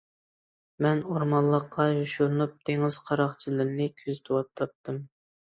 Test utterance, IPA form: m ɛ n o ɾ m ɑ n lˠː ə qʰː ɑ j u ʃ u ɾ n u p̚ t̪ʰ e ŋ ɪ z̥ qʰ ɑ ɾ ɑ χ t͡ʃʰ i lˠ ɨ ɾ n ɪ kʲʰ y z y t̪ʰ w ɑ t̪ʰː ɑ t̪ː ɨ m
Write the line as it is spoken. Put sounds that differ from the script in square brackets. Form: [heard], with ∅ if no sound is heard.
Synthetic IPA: m ɛ n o ɾ m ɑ n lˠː ə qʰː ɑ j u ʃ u ɾ n u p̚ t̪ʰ e ŋ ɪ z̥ qʰ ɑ ɾ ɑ χ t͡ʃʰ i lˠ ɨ ɾ n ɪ kʲʰ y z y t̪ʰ w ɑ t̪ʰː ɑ t̪ː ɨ m